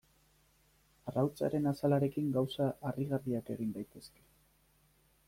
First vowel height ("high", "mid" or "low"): low